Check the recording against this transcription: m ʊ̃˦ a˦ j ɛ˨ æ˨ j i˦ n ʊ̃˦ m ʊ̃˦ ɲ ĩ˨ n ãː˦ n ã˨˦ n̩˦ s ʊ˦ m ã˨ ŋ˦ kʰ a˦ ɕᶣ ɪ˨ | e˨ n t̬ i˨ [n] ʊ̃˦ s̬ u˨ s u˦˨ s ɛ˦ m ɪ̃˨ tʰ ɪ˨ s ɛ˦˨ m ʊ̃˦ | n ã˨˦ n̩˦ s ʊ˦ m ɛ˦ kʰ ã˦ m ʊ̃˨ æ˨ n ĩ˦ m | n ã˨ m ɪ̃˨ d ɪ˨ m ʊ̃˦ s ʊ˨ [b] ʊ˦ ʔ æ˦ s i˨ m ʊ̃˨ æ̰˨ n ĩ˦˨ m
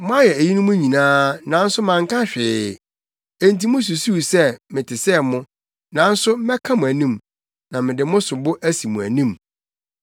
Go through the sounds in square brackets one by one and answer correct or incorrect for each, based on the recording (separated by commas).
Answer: incorrect, correct